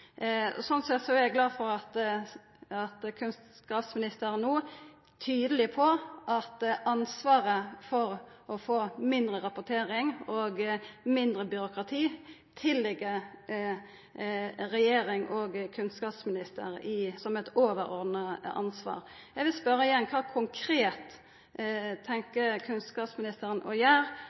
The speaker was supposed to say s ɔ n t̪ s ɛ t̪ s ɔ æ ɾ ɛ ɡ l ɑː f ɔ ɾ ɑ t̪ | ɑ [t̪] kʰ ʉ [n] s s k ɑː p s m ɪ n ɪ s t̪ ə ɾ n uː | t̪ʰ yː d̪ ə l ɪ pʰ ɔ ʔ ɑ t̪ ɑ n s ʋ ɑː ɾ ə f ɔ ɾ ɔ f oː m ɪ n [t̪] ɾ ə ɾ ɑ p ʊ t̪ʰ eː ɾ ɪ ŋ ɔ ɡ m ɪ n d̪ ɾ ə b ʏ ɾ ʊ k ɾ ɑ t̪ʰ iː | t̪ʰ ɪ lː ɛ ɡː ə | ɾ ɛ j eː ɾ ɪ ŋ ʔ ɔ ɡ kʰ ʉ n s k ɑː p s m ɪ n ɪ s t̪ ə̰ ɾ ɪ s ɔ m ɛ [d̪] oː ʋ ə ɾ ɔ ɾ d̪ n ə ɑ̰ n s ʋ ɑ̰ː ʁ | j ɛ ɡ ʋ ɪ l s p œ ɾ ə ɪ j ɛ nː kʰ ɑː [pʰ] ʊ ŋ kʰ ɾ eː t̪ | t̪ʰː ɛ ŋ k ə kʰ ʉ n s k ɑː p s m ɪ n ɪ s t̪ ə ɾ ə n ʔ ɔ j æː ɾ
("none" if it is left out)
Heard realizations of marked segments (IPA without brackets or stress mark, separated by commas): t̪, n, d̪, t̪, kʰ